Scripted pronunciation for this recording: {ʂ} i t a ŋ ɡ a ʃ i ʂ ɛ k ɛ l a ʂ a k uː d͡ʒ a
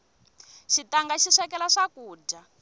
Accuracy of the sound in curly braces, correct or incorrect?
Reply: incorrect